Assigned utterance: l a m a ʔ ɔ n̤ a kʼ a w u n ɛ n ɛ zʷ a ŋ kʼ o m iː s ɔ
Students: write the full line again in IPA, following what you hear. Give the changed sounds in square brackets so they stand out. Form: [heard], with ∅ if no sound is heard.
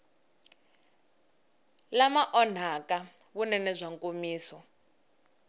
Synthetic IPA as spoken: l a m a ʔ ɔ n̤ a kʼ a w u n ɛ n ɛ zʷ a ŋ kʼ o m iː s ɔ

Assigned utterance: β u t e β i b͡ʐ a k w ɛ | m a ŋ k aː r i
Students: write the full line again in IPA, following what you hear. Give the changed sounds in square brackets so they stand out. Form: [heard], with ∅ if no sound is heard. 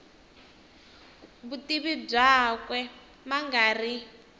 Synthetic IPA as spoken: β u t [i] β i b͡ʐ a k w ɛ | m a ŋ [ɡ] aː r i

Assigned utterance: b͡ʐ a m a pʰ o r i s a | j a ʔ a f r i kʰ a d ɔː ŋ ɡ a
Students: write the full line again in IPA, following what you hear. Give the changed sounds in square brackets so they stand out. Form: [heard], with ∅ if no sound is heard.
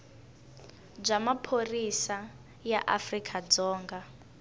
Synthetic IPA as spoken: b͡ʐ a m a pʰ o r i s a | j a ʔ a f r i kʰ a [d͡z] ɔː ŋ ɡ a

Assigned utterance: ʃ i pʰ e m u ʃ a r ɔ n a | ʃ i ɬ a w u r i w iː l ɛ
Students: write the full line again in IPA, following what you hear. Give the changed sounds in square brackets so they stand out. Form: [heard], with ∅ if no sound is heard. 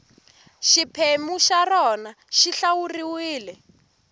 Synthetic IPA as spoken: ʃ i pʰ e m u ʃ a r ɔ n a | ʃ i ɬ a w u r i w iː l ɛ

